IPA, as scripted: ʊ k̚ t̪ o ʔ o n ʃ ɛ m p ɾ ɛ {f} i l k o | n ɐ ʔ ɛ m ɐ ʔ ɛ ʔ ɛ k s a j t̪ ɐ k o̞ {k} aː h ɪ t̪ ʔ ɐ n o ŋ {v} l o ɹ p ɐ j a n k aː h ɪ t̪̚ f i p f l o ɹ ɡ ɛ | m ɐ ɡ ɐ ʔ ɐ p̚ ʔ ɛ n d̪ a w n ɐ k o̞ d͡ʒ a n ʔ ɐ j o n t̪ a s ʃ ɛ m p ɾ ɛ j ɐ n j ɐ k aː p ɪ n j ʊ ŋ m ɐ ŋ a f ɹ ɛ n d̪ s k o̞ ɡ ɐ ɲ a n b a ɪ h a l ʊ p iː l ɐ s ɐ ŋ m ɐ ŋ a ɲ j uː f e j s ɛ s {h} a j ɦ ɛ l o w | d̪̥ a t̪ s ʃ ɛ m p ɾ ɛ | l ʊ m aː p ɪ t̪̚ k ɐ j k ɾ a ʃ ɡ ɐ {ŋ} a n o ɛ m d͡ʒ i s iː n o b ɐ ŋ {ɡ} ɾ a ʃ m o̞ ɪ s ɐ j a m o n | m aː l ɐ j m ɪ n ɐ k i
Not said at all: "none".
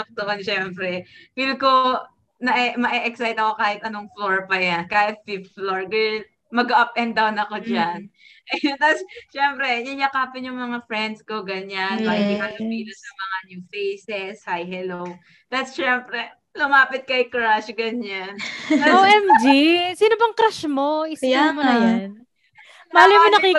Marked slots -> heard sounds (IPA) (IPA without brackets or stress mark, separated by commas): f, k, f, h, ɲ, k